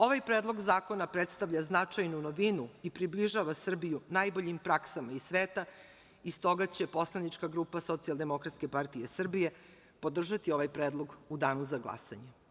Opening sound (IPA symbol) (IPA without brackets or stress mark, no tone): o̞